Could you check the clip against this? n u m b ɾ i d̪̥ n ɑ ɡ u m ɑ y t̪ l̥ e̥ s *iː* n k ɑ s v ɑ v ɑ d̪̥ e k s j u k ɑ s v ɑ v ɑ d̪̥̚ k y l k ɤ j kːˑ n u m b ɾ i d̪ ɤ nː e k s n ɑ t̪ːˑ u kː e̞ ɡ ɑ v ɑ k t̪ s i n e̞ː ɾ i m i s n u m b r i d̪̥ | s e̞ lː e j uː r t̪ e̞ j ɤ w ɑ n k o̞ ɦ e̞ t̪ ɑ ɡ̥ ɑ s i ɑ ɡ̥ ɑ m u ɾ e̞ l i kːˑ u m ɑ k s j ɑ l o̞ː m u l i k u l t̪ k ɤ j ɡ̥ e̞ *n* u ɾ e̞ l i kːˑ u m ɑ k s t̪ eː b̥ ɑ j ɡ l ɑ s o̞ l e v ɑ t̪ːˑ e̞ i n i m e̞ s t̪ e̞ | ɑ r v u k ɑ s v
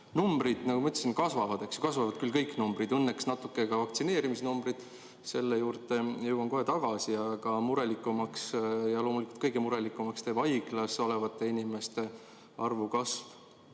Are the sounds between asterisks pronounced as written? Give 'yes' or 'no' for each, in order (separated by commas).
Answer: no, no